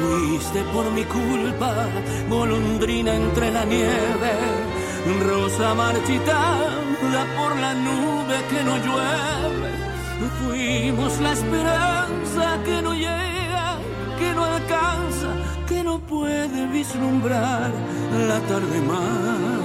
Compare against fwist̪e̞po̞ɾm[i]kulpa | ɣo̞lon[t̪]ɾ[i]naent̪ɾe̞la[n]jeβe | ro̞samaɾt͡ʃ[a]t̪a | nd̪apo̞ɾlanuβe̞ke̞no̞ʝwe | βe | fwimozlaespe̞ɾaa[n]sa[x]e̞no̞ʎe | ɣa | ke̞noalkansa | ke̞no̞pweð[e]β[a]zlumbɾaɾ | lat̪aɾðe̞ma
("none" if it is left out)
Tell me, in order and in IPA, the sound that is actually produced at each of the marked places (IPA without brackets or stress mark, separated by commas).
i, d̪, i, n, i, n, k, e, i